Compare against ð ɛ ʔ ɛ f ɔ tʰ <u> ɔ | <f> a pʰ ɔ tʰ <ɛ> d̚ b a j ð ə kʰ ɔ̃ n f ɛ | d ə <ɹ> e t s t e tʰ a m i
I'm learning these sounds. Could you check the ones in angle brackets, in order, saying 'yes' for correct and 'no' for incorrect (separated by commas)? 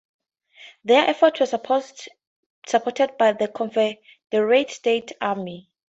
no, no, yes, yes